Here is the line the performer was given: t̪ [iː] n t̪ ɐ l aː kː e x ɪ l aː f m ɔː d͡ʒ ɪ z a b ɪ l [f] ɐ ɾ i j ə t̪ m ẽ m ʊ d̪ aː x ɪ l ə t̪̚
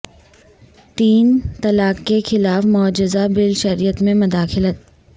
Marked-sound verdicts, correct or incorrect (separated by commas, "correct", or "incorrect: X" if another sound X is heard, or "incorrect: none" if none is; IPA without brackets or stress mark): correct, incorrect: ʃ